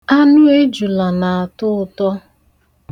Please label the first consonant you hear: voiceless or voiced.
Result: voiced